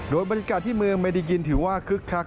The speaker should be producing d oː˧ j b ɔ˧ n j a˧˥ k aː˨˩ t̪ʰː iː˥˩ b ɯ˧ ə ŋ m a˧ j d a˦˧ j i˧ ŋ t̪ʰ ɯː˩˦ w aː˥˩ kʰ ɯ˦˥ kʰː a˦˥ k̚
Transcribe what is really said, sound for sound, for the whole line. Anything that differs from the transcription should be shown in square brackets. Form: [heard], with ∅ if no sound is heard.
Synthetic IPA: d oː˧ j b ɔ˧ n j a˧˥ k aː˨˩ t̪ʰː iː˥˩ [m] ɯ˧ ə ŋ m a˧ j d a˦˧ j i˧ [n] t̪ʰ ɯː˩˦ w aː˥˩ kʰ ɯ˦˥ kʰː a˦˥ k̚